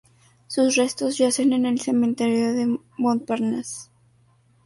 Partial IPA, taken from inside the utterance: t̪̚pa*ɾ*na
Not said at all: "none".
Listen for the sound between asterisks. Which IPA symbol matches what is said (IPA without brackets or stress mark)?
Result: ɾ